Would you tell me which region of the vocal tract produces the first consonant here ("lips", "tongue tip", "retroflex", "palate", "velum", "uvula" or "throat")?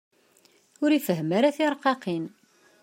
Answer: tongue tip